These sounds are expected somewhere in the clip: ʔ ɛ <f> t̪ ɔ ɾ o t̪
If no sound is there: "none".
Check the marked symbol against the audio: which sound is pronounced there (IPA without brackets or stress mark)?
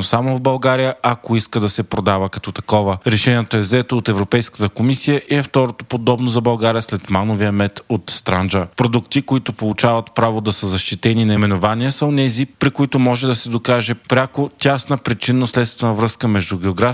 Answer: f